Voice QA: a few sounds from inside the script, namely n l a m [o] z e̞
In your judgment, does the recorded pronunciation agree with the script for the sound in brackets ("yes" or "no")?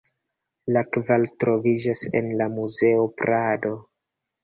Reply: no